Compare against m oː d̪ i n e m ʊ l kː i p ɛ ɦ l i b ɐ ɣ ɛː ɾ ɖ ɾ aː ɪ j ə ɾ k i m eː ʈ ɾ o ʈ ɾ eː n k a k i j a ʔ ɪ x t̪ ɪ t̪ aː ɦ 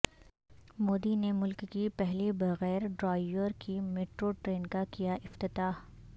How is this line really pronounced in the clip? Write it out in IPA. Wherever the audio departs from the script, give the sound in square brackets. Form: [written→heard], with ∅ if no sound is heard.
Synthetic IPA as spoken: m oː d̪ i n e m ʊ l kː i p ɛ ɦ l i b ɐ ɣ ɛː ɾ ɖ ɾ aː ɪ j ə ɾ k i m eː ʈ ɾ o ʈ ɾ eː n k a k i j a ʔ ɪ [x→f] t̪ ɪ t̪ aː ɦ